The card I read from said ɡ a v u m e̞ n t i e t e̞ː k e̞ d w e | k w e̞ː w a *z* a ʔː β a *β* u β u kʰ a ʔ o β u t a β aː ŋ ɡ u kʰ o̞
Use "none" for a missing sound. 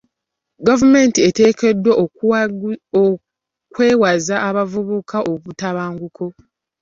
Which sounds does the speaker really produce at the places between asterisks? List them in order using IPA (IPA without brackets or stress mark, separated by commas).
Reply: z, v